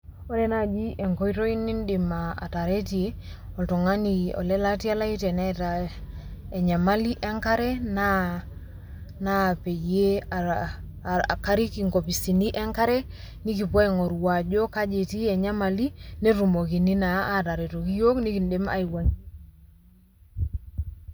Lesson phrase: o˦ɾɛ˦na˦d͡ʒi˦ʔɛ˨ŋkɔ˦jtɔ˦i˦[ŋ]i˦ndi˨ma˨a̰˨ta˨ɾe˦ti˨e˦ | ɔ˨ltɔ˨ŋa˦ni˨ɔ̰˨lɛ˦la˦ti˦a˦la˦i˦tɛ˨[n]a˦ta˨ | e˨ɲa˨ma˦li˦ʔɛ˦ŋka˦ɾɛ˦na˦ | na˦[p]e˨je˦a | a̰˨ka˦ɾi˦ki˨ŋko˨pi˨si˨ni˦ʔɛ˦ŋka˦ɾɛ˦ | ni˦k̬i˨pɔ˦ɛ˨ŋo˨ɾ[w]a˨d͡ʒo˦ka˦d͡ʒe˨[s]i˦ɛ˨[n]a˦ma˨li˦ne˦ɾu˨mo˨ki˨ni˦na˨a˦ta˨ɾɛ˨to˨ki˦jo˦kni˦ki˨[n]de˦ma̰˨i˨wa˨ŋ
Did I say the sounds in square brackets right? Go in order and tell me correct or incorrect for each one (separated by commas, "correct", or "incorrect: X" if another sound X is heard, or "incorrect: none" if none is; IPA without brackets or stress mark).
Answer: incorrect: n, correct, correct, correct, incorrect: t, incorrect: ɲ, correct